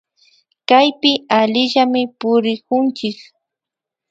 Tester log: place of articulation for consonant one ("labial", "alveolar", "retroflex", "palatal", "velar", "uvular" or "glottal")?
velar